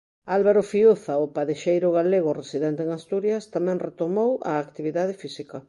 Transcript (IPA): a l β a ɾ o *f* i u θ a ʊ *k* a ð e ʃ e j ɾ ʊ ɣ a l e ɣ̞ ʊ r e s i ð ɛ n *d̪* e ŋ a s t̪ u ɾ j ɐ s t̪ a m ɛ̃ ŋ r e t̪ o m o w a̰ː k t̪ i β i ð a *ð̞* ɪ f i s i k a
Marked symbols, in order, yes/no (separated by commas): yes, no, no, yes